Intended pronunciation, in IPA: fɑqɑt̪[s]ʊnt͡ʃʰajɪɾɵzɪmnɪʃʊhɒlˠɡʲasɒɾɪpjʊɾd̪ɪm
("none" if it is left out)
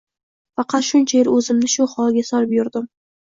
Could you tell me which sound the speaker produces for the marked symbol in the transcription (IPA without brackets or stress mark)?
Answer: ʃ